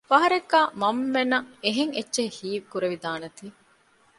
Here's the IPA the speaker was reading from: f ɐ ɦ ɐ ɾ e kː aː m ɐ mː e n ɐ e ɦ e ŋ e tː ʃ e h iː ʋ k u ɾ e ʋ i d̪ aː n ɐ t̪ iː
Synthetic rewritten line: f ɐ ɦ ɐ ɾ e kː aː m ɐ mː e n ɐ e ɦ e ŋ e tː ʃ e h iː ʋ k u ɾ e ʋ i d̪ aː n ɐ t̪ iː